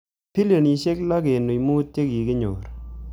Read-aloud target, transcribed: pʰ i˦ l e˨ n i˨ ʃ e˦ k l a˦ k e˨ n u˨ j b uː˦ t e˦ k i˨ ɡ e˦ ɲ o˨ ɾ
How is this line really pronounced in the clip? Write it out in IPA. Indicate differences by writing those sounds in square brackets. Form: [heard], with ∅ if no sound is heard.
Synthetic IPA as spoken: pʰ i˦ l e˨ n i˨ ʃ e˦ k l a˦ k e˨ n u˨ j [m] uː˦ t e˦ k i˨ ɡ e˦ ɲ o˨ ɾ